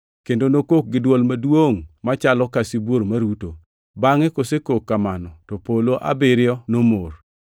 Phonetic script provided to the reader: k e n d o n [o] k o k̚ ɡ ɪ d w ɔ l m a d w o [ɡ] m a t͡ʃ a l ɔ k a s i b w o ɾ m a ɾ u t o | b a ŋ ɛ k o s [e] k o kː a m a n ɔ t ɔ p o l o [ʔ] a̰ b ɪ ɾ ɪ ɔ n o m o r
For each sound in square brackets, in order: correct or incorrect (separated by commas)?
correct, incorrect, correct, correct